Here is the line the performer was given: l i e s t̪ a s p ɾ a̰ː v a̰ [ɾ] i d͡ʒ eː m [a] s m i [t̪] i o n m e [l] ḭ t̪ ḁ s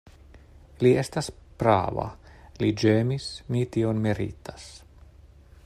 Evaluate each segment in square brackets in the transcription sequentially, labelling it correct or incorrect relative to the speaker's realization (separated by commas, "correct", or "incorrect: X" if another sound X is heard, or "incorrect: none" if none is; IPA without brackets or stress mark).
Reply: incorrect: l, incorrect: i, correct, incorrect: ɾ